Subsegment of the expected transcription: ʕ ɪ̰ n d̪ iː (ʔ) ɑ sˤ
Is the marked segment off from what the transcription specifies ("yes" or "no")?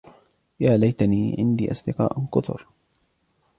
no